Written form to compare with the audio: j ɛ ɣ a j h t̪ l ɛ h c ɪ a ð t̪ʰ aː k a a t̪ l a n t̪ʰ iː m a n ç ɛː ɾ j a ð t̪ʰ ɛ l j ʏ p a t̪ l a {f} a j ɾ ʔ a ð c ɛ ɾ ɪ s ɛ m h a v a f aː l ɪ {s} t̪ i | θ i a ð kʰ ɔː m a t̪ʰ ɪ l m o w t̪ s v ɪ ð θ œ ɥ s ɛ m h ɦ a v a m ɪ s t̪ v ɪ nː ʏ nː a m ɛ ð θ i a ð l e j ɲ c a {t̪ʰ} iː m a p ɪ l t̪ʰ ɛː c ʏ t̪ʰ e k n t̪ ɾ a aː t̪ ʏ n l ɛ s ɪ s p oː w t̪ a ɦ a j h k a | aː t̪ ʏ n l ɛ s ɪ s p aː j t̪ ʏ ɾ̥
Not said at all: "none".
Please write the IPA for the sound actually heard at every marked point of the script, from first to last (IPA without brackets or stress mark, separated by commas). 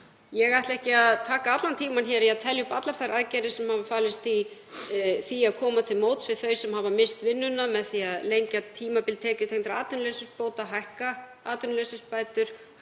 f, s, t̪ʰ